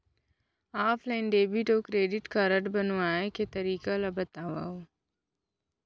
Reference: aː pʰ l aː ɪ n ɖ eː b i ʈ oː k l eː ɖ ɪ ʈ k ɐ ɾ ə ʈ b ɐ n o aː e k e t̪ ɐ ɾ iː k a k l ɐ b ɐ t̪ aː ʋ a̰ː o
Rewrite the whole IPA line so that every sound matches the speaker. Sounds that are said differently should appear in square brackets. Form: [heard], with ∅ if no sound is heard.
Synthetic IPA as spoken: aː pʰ l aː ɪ n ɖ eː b i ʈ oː k [ɾ] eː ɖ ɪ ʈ k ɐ ɾ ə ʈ b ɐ n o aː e k e t̪ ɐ ɾ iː k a [∅] l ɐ b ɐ t̪ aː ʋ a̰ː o